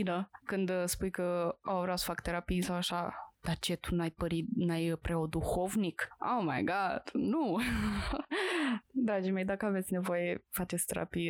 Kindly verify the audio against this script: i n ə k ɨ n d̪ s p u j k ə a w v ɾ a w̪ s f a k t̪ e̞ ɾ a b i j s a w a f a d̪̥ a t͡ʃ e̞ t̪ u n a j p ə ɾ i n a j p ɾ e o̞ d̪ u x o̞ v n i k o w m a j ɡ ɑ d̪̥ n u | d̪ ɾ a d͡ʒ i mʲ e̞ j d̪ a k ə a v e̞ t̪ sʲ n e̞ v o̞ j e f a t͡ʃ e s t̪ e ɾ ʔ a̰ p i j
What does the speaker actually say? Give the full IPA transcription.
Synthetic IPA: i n ə k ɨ n d̪ s p u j k ə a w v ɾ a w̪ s f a k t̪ e̞ ɾ a p i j s a w a ʃ a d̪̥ a t͡ʃ e̞ t̪ u n a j p ə ɾ i n a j p ɾ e o̞ d̪ u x o̞ v n i k o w m a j ɡ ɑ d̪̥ n u | d̪ ɾ a d͡ʒ i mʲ e̞ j d̪ a k ə a v e̞ t̪ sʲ n e̞ v o̞ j e f a t͡ʃ e s t̪ e ɾ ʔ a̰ p i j